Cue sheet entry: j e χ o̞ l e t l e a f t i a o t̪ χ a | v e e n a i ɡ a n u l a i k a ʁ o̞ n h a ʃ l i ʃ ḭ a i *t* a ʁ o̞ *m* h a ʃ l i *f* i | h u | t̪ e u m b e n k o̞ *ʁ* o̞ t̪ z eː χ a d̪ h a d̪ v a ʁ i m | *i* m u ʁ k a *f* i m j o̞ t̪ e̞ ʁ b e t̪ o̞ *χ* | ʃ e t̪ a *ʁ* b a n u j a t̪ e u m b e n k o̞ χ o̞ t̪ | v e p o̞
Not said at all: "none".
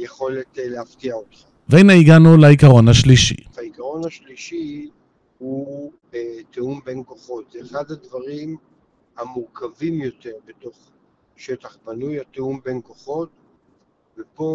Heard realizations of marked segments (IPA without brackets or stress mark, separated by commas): k, n, ʃ, χ, a, v, χ, χ